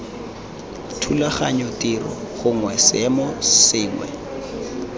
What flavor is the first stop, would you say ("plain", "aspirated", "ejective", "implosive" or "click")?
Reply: aspirated